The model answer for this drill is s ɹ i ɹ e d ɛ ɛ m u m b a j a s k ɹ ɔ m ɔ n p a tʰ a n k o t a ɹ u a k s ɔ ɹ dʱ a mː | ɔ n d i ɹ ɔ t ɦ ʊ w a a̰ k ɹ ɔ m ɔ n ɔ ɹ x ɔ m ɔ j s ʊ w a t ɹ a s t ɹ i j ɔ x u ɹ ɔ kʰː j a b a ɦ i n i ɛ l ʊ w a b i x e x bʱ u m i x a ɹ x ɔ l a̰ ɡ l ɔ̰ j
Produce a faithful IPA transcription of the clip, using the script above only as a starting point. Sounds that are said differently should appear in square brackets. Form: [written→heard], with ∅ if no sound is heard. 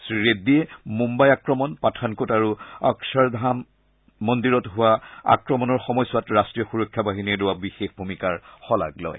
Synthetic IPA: s ɹ i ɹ e d [ɛ→i] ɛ m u m b a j a [s→∅] k ɹ ɔ m ɔ n p a tʰ a n k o t a ɹ u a k s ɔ ɹ dʱ a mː | ɔ n d i ɹ ɔ t ɦ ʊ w a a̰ k ɹ ɔ m ɔ n ɔ ɹ x ɔ m ɔ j s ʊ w a t ɹ a s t ɹ i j ɔ x u ɹ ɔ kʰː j a b a ɦ i n i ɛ l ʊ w a b i x e x bʱ u m i [x→k] a ɹ x ɔ l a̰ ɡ l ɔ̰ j